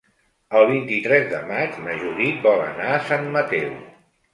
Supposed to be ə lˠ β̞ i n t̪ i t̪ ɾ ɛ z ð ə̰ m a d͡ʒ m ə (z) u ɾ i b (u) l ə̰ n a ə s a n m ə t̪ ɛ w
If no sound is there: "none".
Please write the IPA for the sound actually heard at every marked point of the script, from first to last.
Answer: ʒ, ɔ

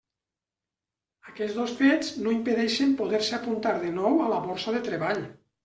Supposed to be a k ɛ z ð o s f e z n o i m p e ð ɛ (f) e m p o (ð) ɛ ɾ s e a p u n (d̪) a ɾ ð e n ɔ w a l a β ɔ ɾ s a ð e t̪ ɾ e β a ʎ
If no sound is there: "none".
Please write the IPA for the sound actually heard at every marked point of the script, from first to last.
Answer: ʃ, ð, t̪

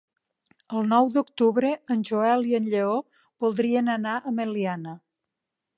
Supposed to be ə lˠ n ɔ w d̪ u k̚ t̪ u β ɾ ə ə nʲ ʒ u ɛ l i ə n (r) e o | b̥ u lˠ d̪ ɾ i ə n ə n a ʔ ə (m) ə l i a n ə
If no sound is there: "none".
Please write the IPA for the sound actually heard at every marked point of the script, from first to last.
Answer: ʎ, m

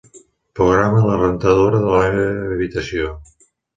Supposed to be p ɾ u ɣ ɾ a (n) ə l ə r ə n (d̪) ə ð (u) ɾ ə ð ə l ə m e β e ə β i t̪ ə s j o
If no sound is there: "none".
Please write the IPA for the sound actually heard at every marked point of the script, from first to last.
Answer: m, t̪, o

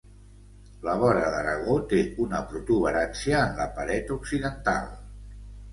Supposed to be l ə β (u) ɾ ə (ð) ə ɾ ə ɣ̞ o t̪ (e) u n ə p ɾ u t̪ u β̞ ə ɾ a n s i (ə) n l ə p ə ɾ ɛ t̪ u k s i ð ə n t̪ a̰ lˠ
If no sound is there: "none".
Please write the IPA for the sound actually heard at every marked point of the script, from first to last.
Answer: ɔ, ð, e, əː

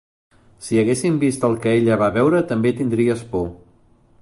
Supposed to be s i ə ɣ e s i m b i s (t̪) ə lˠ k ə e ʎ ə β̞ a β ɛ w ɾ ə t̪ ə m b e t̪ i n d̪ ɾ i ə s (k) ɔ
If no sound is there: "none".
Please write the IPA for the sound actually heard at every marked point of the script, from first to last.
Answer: t̪, p

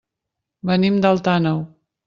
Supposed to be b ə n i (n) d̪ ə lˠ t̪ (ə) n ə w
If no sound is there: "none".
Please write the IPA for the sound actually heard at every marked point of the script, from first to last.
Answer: m, a

